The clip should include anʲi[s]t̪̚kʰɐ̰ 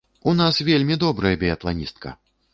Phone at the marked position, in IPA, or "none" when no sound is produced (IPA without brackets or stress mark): s